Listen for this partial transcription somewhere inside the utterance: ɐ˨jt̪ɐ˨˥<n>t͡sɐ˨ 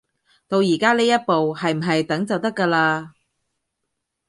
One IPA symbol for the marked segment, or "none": ŋ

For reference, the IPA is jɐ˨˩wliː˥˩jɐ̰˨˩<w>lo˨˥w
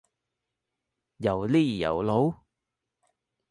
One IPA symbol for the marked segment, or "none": w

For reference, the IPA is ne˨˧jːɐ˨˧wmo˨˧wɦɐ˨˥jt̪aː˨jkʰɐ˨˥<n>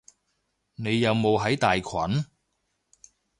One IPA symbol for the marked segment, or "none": n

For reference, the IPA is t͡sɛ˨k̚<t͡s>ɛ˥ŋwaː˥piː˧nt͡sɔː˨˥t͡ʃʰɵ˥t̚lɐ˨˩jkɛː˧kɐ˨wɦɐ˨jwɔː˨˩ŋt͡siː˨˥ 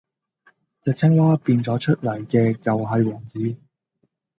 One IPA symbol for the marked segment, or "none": t͡sʰ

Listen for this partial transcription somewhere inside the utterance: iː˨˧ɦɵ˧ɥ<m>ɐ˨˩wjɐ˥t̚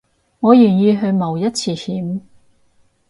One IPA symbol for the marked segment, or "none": m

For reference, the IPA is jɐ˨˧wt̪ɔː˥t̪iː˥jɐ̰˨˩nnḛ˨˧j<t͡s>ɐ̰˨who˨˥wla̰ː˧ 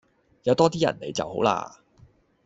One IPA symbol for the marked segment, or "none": t͡s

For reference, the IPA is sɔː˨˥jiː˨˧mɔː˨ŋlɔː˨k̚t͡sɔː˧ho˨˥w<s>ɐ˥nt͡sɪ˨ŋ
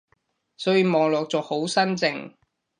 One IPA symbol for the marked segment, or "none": s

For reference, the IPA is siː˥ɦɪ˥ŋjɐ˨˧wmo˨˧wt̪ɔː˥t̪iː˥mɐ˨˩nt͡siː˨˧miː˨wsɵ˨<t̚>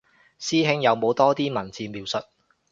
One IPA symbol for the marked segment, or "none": t̚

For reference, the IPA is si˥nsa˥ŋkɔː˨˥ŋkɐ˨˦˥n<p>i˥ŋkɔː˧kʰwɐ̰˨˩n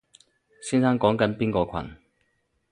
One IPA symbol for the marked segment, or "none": p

